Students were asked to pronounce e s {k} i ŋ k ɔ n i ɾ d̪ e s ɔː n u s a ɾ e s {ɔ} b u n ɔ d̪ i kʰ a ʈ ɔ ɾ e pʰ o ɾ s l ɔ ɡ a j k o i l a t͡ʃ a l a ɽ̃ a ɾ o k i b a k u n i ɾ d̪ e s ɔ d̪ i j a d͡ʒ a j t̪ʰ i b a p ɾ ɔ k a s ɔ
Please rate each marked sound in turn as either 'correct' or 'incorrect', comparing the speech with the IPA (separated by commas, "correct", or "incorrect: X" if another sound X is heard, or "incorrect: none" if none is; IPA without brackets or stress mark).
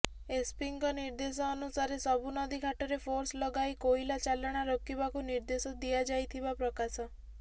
incorrect: p, correct